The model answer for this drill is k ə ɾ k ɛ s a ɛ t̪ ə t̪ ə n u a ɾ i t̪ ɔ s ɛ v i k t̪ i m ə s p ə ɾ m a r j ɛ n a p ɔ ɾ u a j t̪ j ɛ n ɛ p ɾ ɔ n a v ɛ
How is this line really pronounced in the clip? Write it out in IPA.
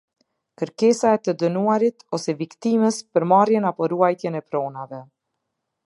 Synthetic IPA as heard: k ə ɾ k ɛ s a ɛ t̪ ə d̪ ə n u a ɾ i t̪ ɔ s ɛ v i k t̪ i m ə s p ə ɾ m a r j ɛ n a p ɔ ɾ u a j t̪ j ɛ n ɛ p ɾ ɔ n a v ɛ